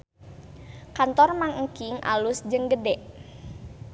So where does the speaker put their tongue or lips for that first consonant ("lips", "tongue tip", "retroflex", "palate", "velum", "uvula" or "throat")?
velum